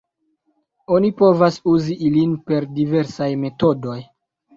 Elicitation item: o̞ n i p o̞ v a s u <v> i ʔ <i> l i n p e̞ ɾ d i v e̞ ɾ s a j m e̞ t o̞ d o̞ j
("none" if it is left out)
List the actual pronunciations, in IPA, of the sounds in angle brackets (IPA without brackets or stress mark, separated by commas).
z, i